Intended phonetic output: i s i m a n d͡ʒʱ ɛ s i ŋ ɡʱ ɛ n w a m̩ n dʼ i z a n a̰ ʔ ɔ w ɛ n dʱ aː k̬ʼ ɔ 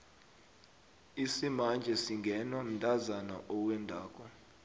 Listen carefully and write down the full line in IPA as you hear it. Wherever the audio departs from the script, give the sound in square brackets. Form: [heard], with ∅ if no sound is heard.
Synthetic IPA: i s i m a n d͡ʒʱ ɛ s i ŋ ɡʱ ɛ n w a m̩ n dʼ [a] z a n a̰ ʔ ɔ w ɛ n dʱ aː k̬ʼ ɔ